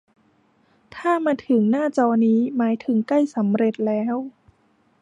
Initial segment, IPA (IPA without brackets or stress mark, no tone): t̪ʰ